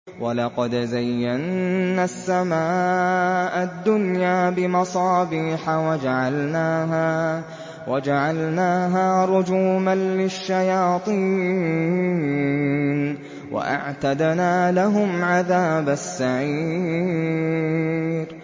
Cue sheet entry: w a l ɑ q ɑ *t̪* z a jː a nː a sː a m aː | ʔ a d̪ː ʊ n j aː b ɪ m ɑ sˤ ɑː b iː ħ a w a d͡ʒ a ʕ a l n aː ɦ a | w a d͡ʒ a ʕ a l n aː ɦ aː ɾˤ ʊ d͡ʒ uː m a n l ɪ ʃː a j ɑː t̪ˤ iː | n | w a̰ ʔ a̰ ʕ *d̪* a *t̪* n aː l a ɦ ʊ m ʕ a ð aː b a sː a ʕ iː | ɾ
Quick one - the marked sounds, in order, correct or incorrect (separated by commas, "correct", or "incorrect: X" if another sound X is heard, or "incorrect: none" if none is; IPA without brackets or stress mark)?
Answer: incorrect: d̪, incorrect: t̪, incorrect: d̪